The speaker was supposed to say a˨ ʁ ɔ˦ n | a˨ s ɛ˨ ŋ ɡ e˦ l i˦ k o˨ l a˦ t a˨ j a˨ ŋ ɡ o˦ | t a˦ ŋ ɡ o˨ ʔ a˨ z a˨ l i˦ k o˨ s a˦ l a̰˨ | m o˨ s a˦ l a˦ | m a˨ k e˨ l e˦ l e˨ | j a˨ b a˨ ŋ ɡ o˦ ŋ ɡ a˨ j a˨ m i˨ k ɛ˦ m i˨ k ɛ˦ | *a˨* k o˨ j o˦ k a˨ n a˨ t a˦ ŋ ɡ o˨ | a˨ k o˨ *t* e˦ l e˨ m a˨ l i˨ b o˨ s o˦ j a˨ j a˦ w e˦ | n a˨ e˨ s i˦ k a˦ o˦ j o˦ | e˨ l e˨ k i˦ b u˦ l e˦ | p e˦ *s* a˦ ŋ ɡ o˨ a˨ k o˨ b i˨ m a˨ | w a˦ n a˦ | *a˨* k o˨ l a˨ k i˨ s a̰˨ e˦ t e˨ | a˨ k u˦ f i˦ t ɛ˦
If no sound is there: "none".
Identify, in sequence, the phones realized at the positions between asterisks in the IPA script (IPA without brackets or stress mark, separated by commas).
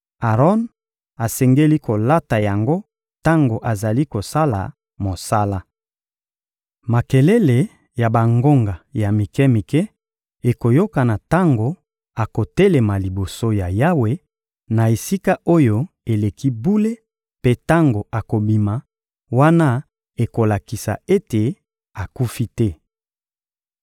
e˨, t, t, e˨